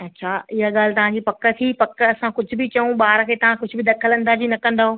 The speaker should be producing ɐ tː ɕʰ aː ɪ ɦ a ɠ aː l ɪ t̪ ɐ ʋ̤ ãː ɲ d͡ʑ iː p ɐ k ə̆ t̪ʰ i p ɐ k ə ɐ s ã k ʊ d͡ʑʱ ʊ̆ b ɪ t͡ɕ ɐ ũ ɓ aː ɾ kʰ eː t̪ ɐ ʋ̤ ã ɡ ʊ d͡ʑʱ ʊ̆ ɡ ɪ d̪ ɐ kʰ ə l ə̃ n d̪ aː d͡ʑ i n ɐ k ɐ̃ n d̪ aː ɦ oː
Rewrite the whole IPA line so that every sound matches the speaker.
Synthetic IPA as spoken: ɐ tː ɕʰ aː ɪ ɦ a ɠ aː l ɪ t̪ ɐ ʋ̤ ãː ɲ d͡ʑ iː p ɐ k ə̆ t̪ʰ i p ɐ k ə ɐ s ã k ʊ d͡ʑʱ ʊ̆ b ɪ t͡ɕ ɐ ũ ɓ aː ɾ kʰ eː t̪ ɐ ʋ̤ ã k ʊ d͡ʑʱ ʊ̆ b ɪ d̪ ɐ kʰ ə l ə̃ n d̪ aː d͡ʑ i n ɐ k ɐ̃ n d̪ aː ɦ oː